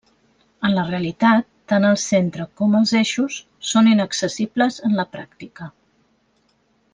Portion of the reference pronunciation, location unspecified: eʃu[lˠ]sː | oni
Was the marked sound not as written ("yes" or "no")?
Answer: yes